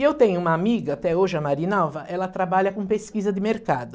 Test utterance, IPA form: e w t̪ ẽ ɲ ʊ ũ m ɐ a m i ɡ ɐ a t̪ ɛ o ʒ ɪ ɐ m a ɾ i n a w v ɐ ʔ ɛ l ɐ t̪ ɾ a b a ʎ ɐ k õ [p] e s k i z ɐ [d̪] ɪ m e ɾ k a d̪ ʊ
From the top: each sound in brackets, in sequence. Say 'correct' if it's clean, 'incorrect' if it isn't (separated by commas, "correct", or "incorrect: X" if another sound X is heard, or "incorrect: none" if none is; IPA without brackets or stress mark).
correct, correct